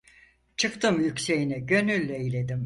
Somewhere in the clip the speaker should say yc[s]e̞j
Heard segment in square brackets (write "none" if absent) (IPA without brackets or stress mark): s